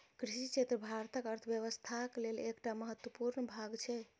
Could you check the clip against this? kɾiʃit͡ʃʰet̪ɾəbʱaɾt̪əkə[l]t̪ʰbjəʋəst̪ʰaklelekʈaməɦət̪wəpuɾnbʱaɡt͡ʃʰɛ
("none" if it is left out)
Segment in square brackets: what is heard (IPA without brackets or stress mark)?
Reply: ɾ